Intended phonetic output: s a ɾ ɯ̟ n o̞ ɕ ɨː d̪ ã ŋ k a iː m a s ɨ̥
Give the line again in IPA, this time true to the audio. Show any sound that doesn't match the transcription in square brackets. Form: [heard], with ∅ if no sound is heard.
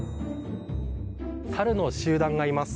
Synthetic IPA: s a ɾ ɯ̟ n o̞ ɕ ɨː d̪ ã ŋ [ɡ] a [i] m a s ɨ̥